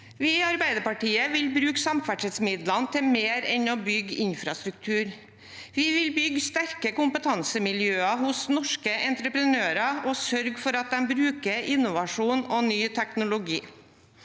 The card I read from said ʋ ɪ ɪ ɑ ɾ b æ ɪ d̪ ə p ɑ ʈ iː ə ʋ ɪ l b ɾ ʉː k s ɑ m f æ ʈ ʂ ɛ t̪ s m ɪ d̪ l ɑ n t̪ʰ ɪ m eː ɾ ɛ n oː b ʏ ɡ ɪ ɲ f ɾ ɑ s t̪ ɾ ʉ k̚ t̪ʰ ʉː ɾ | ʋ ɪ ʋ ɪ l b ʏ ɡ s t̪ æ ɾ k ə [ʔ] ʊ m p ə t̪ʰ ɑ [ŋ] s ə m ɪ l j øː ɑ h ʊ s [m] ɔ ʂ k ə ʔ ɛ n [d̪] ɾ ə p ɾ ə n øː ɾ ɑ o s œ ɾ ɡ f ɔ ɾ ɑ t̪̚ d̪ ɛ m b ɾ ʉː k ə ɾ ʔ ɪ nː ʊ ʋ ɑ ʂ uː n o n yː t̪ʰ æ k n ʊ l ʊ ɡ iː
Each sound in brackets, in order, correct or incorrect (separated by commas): incorrect, incorrect, incorrect, incorrect